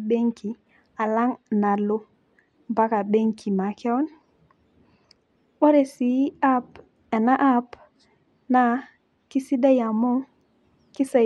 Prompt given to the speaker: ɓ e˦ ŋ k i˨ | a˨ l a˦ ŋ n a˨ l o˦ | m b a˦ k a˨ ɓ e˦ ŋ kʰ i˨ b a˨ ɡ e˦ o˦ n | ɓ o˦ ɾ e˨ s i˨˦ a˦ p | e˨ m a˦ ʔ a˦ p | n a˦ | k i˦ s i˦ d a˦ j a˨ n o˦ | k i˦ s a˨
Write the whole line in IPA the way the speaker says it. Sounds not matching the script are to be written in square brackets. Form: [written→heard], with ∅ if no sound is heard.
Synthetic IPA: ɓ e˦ ŋ k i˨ | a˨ l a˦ ŋ n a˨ l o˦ | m b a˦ k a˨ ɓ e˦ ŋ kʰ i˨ [b→m] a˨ [ɡ→k] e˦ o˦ n | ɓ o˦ ɾ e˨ s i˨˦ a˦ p | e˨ [m→n] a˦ ʔ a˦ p | n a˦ | k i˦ s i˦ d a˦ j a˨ [n→m] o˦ | k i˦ s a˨